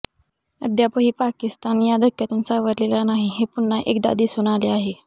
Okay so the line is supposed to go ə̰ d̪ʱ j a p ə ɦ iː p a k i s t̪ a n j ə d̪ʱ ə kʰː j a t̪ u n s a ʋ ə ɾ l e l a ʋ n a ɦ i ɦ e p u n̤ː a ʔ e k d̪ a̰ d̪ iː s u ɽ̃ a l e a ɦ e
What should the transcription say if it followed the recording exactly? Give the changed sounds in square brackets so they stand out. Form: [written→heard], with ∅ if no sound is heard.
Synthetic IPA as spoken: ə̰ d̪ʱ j a p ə ɦ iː p a k i s t̪ a n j [ə→a] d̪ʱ ə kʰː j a t̪ u n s a ʋ ə ɾ l e l a [ʋ→∅] n a ɦ i ɦ e p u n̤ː a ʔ e k d̪ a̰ d̪ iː s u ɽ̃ a l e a ɦ e